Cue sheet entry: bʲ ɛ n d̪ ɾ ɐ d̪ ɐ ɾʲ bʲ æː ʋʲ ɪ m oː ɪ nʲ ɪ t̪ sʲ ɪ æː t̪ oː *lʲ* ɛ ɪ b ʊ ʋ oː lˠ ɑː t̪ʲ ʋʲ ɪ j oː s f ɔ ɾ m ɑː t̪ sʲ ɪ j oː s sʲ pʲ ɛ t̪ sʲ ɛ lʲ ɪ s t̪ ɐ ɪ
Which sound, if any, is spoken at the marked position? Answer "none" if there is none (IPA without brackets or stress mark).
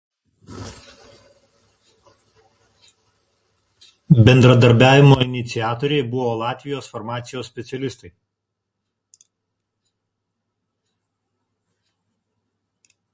ɾʲ